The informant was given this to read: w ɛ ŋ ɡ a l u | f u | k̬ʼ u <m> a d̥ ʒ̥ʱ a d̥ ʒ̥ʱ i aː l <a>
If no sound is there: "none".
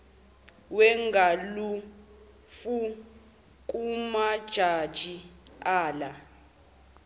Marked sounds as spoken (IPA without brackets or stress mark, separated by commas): m, a